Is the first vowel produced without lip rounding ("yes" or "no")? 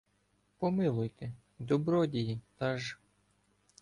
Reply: no